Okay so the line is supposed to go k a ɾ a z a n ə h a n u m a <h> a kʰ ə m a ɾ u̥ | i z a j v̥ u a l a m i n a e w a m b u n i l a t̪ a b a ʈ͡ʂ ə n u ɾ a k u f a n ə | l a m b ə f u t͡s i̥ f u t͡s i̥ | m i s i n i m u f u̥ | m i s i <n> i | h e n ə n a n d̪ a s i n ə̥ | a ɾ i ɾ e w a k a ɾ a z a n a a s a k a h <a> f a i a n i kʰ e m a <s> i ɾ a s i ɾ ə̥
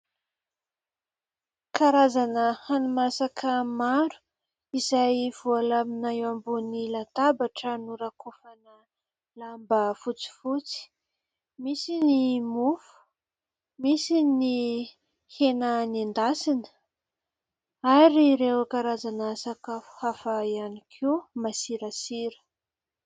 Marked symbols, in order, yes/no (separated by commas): no, yes, yes, yes